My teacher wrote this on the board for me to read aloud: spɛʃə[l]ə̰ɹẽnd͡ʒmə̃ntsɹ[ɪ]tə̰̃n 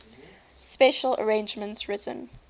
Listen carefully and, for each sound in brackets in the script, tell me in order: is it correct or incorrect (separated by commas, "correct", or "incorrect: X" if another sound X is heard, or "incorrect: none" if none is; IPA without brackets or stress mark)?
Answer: correct, correct